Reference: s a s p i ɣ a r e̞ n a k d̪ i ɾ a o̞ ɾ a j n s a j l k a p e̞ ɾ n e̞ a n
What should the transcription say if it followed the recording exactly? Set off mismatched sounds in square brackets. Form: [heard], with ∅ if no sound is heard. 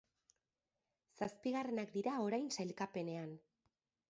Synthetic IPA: s a s p i ɣ a r e̞ n a k d̪ i ɾ a o̞ ɾ a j n s a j l k a p e̞ [∅] n e̞ a n

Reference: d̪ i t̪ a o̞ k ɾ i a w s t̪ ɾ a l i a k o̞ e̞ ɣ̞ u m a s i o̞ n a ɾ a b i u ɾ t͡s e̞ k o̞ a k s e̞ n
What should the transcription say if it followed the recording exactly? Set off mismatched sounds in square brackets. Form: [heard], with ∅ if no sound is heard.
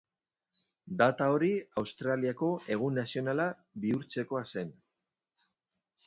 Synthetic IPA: d̪ [a] t̪ a o̞ [∅] ɾ i a w s t̪ ɾ a l i a k o̞ e̞ ɣ̞ u [n] a s i o̞ n a [l] a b i u ɾ t͡s e̞ k o̞ a [∅] s e̞ n

